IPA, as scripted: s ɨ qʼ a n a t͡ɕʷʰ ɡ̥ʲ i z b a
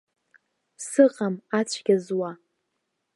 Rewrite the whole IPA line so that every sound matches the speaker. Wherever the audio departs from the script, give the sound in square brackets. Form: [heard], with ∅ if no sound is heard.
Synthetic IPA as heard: s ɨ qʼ a [m] a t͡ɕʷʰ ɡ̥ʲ [a] z [w] a